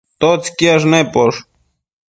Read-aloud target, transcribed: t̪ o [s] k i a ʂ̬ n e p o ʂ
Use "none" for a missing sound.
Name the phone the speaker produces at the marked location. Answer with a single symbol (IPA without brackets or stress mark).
t͡s